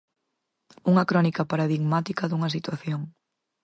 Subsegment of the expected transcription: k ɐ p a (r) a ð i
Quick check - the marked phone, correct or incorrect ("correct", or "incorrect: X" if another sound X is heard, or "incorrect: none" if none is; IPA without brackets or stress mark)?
incorrect: ɾ